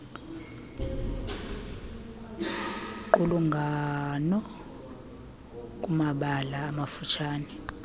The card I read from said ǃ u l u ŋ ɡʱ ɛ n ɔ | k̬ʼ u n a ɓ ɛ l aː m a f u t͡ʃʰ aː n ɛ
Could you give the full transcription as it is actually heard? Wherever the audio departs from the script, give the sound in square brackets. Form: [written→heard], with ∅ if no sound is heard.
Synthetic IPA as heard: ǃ u l u ŋ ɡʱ [ɛ→a] n ɔ | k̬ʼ u [n→m] a ɓ [ɛ→a] l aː m a f u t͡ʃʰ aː n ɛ